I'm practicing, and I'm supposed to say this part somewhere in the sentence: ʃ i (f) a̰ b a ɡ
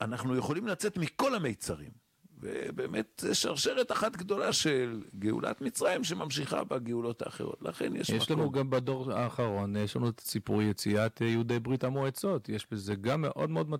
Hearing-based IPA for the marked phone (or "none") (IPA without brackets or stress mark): χ